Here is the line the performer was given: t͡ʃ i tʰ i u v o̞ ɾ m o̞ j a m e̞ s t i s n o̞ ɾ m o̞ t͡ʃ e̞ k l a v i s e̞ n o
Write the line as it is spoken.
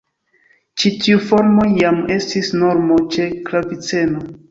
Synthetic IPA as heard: t͡ʃ i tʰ i u f o̞ ɾ m o̞ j a m e̞ s t i s n o̞ ɾ m o̞ t͡ʃ e̞ k l a v i t͡s e̞ n o